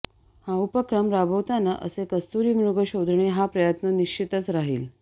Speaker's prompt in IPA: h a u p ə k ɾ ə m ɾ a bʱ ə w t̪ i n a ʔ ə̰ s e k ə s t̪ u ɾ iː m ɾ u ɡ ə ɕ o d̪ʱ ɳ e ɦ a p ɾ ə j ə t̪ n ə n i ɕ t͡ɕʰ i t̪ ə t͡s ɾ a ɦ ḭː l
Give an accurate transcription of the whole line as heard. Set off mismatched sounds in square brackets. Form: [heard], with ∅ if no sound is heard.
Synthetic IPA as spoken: h a u p ə k ɾ ə m ɾ a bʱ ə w t̪ [a] n a ʔ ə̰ s e k ə s t̪ u ɾ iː m ɾ u ɡ ə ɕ o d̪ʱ ɳ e ɦ a p ɾ ə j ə t̪ n ə n i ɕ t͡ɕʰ i t̪ ə t͡s ɾ a ɦ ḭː l